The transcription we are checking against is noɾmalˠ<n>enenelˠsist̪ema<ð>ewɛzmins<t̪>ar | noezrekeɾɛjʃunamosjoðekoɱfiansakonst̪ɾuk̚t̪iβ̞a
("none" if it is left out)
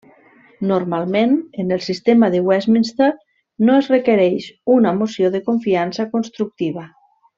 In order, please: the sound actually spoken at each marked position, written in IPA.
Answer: m, ð, t̪

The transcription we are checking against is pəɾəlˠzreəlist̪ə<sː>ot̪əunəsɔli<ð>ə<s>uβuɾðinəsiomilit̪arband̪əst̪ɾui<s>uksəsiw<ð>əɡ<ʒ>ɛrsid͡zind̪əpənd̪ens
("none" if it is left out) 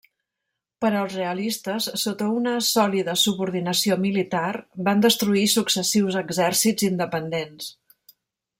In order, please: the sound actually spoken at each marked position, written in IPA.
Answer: sː, ð, s, s, z, z

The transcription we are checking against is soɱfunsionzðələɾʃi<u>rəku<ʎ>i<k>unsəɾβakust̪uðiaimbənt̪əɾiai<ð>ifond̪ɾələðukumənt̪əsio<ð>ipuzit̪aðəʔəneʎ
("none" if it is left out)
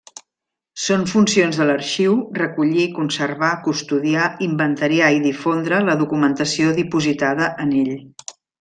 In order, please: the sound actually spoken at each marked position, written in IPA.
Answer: w, ʎ, k, ð, ð

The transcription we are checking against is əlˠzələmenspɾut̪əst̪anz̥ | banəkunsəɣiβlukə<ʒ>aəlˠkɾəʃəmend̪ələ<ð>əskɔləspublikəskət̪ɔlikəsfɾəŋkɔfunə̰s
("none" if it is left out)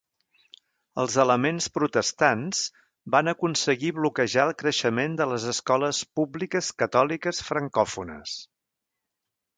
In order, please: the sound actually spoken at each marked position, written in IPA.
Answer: ʒ, z

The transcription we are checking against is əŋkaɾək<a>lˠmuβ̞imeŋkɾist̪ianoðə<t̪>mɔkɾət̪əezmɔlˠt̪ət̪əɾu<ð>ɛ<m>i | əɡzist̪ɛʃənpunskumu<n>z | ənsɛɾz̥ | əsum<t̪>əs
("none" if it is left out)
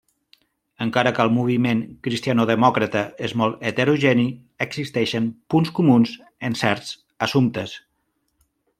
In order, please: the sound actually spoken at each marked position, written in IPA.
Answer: ə, none, ʒ, n, n, t̪

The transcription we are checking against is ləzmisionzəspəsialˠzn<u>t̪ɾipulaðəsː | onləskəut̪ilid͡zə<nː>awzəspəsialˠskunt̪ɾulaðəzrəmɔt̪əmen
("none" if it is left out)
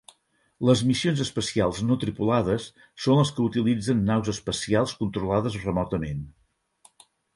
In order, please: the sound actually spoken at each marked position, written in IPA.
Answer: o, nː

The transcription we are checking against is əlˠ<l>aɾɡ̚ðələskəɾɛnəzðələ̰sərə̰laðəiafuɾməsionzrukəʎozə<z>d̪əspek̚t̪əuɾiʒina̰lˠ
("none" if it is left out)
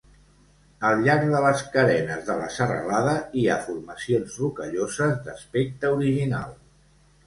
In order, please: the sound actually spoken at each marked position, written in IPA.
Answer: ʎ, z

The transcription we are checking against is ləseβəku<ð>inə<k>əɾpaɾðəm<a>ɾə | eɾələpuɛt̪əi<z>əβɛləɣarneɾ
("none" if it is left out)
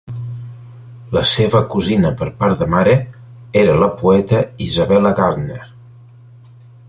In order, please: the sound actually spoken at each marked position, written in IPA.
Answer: z, p, a, z

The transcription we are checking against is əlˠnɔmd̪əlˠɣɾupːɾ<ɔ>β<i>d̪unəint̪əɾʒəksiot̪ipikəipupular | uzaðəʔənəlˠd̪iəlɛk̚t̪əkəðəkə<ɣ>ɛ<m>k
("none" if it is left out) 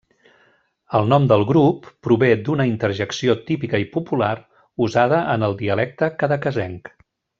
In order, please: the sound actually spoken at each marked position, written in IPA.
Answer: u, e, z, ŋ

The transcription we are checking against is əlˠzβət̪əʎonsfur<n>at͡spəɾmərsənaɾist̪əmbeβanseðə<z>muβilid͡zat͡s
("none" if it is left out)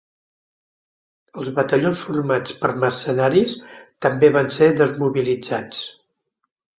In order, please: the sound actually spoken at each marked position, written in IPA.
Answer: m, z

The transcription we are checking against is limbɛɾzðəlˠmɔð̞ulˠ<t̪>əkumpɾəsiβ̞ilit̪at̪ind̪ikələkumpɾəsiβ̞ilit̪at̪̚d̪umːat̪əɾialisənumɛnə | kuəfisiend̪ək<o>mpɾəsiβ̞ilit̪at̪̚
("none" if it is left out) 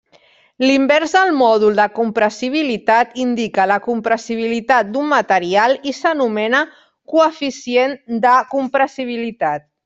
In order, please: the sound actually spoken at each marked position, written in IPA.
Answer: d̪, u

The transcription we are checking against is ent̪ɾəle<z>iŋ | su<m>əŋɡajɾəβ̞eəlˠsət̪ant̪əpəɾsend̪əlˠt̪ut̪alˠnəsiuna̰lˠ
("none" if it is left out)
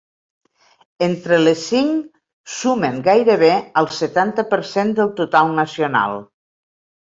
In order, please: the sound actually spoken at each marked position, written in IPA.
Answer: s, m

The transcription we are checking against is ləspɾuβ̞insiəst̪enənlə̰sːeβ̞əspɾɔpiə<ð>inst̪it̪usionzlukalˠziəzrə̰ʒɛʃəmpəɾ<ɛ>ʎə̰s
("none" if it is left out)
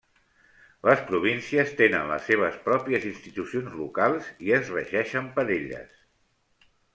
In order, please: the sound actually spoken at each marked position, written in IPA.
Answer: z, e

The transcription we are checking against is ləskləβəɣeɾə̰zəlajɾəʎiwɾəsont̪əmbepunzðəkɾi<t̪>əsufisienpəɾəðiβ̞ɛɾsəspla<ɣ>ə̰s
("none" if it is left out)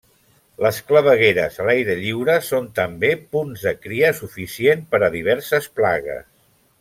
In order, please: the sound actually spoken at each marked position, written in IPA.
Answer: none, ɣ

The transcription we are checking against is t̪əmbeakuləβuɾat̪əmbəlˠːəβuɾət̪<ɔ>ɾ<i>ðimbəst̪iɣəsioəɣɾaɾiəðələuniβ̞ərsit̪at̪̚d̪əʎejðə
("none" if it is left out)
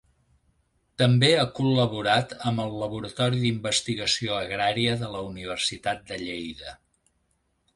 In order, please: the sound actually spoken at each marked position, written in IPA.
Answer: ɔ, i

